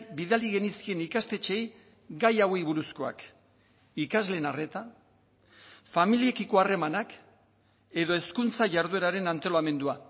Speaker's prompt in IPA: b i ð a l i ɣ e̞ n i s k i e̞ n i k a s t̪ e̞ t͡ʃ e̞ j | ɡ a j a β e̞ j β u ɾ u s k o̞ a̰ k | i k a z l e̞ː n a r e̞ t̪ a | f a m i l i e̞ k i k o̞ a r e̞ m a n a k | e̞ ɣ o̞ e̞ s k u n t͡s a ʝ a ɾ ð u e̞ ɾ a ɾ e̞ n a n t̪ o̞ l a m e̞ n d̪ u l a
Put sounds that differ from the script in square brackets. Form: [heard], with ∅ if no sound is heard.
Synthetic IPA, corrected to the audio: b i ð a l i ɣ e̞ n i s k i e̞ n i k a s t̪ e̞ t͡ʃ e̞ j | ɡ a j a [w] e̞ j β u ɾ u s k o̞ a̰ k | i k a z l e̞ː n a r e̞ t̪ a | f a m i l i e̞ k i k o̞ a r e̞ m a n a k | e̞ [ð] o̞ e̞ s k u n t͡s a ʝ a ɾ ð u e̞ ɾ a ɾ e̞ n a n t̪ o̞ l a m e̞ n d̪ u [∅] a